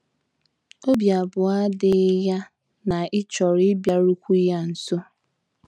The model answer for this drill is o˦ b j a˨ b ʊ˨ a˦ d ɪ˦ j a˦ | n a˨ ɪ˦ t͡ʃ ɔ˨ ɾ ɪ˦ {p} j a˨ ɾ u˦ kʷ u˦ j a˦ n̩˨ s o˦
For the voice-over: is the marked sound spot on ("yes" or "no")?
no